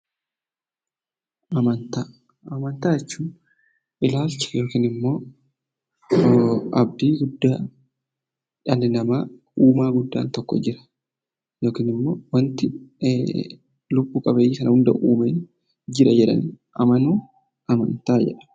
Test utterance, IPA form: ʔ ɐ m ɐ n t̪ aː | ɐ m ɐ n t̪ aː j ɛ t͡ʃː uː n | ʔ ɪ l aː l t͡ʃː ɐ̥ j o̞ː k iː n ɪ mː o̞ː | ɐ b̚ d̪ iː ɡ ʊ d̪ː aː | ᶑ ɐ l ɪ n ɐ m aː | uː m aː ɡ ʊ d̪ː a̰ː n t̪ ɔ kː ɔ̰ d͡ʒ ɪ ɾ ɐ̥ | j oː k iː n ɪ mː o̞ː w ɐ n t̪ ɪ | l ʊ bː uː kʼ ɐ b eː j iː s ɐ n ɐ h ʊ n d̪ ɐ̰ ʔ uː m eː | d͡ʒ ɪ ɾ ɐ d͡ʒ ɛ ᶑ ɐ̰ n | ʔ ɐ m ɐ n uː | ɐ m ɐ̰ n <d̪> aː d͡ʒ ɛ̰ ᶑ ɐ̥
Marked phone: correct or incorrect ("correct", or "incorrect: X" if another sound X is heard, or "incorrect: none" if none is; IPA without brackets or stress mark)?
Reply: incorrect: t̪